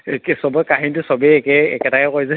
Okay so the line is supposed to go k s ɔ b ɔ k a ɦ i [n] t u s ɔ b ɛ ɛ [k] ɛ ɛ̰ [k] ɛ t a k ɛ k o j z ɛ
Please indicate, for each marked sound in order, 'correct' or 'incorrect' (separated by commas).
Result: correct, correct, correct